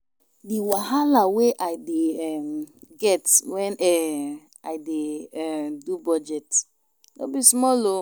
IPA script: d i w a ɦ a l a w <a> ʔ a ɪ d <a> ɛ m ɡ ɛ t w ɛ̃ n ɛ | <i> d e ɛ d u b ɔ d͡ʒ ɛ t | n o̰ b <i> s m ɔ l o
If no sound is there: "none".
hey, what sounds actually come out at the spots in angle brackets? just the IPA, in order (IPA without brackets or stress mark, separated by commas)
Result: e, e, a, i